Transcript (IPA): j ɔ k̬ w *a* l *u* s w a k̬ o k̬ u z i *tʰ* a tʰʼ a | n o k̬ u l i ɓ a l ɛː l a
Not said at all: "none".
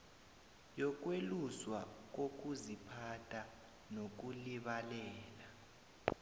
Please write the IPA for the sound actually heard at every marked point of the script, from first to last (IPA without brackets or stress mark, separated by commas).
e, u, pʰ